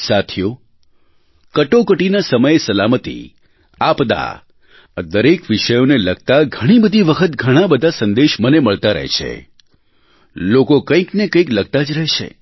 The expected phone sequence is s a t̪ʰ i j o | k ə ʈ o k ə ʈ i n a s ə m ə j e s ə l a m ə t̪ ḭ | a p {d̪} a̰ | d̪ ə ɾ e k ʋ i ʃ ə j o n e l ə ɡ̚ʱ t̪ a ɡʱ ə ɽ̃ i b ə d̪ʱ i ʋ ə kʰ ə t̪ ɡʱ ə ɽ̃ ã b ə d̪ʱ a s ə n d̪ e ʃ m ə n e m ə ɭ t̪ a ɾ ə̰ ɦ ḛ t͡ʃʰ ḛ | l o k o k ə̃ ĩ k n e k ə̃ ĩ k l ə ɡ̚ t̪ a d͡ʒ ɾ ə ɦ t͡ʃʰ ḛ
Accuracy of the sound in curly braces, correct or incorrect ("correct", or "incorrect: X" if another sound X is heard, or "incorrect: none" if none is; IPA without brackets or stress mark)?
correct